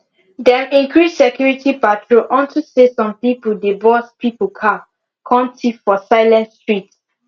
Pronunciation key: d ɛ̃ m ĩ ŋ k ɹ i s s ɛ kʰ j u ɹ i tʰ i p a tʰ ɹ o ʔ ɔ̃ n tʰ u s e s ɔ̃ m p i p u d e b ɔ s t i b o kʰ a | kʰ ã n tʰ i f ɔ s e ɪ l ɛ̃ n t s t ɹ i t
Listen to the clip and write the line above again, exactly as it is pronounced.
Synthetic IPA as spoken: d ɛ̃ m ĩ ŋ k ɹ i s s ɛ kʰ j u ɹ i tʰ i p a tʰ ɹ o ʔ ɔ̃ n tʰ u s e s ɔ̃ m p i p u d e b ɔ s p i p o kʰ a | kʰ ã n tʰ i f ɔ s a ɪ l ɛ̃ n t s t ɹ i t